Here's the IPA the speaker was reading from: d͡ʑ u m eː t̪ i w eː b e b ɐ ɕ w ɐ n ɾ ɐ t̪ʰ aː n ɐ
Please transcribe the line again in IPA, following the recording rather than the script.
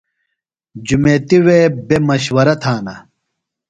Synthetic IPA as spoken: d͡ʑ u m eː t̪ i w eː b e m ɐ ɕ w ɐ ɾ ɐ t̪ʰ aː n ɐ